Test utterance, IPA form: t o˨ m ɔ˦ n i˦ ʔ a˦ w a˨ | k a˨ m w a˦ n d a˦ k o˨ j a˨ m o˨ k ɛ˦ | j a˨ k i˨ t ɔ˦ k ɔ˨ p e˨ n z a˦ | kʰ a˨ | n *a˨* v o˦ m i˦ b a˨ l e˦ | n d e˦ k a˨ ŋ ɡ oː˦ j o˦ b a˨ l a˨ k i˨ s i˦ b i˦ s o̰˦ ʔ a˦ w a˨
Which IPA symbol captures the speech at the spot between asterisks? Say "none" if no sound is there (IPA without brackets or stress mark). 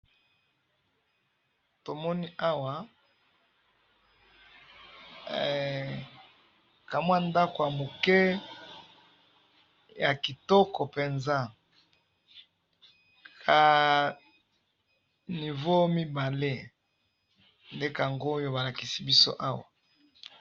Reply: i˨